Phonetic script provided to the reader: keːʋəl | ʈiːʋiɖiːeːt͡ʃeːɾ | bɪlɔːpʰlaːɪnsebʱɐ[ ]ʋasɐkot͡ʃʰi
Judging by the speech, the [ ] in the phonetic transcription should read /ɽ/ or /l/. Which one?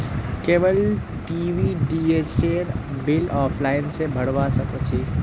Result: ɽ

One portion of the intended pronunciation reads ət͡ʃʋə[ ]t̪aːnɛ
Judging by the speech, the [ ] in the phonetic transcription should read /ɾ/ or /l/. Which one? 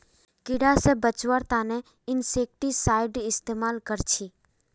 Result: ɾ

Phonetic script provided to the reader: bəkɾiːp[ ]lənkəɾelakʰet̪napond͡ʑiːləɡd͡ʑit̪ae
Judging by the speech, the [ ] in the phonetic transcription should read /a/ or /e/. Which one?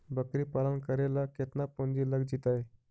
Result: a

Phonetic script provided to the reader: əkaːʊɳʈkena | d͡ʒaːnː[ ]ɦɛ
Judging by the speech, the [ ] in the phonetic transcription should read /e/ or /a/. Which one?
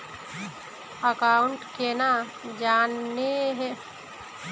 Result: e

